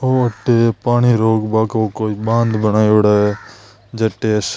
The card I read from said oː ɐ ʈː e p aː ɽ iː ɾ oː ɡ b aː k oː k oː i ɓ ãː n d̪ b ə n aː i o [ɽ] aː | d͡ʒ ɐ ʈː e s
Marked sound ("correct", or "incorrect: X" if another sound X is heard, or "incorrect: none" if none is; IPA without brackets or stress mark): correct